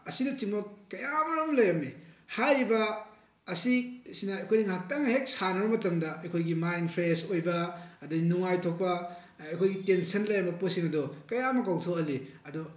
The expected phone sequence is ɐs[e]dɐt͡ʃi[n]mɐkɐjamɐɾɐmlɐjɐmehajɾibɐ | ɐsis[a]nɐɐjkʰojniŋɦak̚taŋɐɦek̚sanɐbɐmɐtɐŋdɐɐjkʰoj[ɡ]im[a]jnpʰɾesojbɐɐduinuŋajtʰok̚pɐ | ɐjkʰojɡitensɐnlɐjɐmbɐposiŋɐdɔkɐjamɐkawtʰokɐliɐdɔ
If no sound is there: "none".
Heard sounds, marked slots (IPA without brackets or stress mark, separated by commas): i, ŋ, i, ɡ, a